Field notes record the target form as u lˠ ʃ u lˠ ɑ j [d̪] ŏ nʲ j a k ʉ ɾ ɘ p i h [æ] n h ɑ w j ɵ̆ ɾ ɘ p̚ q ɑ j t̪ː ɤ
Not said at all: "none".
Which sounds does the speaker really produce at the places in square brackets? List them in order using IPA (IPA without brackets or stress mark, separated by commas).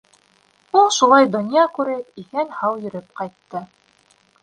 d̪, æ